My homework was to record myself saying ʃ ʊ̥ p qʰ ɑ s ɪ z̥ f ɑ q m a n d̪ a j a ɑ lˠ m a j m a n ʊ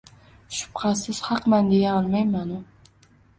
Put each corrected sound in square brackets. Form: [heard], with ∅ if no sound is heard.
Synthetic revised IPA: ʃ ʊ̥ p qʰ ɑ s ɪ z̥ [h] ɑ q m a n d̪ [e] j a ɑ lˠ m a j m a n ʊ